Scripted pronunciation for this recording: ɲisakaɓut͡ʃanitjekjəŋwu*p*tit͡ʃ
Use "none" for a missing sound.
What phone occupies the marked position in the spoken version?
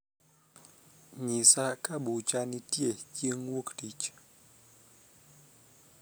k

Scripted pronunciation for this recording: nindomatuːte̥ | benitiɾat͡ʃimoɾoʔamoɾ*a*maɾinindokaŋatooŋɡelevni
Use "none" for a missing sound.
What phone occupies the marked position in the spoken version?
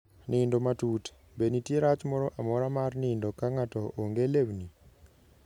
a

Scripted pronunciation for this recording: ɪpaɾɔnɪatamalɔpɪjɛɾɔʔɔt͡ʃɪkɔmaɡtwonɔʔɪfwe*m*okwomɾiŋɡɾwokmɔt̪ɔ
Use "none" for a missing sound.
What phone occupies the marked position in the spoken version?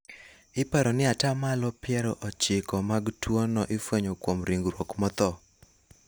ɲ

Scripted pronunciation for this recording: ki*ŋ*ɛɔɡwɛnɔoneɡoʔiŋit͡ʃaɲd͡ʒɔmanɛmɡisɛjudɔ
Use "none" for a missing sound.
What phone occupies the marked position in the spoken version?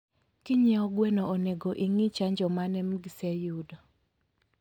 ɲ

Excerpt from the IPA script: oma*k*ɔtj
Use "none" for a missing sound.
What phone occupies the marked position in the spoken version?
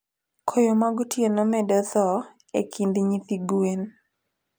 ɡ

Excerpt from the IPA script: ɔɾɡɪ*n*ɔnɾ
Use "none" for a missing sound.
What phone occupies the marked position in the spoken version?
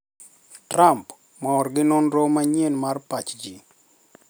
n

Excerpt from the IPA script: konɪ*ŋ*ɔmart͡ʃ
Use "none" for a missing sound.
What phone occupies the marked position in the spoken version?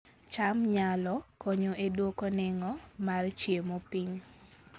ŋ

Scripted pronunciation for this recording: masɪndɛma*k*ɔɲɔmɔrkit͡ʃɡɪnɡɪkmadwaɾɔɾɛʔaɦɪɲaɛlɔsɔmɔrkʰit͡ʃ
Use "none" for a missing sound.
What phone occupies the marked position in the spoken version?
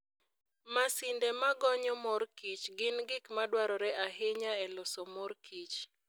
ɡ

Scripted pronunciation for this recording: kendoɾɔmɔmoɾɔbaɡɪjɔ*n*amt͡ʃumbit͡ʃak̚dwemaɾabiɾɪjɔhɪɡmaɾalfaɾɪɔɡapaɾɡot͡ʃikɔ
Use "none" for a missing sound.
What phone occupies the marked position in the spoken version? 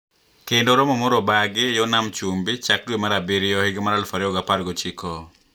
n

